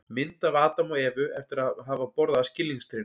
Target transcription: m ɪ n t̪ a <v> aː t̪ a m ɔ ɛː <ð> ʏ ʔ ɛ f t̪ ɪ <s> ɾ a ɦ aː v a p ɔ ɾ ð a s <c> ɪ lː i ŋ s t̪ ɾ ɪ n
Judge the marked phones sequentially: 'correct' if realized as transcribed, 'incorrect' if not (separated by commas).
correct, incorrect, incorrect, correct